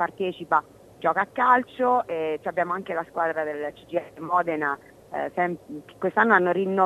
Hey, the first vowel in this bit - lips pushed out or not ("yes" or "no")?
no